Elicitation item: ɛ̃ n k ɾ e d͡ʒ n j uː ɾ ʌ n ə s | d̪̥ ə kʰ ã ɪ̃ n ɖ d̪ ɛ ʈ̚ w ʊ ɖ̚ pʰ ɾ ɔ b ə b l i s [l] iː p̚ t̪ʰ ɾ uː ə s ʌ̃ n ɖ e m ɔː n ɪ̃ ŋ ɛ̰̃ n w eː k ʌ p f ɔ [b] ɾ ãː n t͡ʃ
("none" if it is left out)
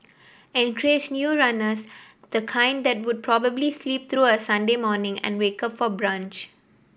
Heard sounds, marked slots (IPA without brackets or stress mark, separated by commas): l, b